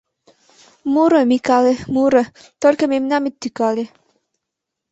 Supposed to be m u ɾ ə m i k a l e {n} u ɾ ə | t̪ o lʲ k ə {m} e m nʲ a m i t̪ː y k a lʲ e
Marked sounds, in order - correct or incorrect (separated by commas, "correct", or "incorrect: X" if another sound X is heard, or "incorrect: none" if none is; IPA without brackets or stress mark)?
incorrect: m, correct